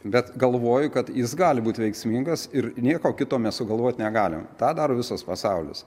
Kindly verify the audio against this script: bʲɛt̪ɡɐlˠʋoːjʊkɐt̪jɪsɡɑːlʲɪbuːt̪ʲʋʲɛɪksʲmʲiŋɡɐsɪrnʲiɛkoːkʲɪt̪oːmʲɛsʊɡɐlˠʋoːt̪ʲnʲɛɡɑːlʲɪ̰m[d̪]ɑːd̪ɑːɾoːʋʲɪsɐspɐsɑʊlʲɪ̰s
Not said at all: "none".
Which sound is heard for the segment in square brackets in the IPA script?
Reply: t̪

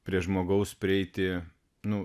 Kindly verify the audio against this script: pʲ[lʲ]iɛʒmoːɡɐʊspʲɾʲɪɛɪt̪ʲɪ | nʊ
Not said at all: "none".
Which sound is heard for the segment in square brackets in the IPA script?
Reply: ɾʲ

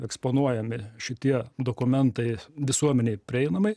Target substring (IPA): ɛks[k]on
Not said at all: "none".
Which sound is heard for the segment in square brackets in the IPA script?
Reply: p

